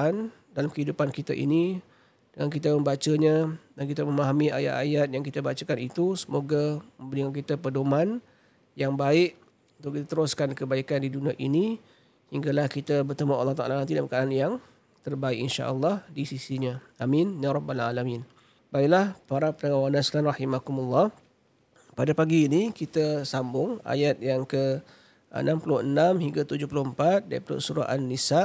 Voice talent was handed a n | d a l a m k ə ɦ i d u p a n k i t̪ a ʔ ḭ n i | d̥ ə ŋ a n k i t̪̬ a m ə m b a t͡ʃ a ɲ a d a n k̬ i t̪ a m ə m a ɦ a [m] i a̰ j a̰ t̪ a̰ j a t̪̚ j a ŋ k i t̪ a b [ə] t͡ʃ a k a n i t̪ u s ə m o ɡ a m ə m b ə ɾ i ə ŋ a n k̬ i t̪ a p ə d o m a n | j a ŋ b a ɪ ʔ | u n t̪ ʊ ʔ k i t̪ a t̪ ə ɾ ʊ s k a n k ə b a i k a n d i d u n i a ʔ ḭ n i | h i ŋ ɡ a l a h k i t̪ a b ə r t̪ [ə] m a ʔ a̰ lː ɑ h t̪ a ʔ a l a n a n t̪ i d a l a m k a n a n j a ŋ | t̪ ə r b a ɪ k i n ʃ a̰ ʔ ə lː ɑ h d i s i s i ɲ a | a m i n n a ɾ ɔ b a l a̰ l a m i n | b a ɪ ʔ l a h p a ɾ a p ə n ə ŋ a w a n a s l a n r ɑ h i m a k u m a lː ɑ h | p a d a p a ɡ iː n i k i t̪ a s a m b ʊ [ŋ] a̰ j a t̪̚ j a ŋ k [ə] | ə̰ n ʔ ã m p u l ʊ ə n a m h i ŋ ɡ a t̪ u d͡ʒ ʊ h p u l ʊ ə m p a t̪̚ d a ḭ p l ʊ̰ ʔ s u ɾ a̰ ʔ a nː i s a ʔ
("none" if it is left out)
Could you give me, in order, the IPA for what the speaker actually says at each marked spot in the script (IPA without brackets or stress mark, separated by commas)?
m, a, ə, ŋ, ə